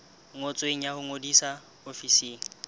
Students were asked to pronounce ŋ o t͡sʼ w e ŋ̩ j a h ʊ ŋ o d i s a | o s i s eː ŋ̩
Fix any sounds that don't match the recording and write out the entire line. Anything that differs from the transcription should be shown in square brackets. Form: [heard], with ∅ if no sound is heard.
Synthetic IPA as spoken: ŋ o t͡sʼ w e ŋ̩ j a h ʊ ŋ o d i s a | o [f] i s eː ŋ̩